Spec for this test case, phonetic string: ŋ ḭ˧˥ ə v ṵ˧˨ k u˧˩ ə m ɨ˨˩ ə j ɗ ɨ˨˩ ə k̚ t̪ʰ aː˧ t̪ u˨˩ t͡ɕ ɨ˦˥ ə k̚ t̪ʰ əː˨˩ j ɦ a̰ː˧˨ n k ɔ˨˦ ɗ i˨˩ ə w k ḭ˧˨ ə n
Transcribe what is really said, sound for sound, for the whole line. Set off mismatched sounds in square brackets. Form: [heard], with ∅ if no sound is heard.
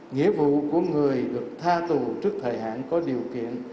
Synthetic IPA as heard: ŋ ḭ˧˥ ə v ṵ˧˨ k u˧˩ ə [ŋ] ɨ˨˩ ə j ɗ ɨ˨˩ ə k̚ t̪ʰ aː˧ t̪ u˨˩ t͡ɕ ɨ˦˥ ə k̚ t̪ʰ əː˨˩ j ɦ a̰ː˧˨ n k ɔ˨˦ ɗ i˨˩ ə w k ḭ˧˨ ə n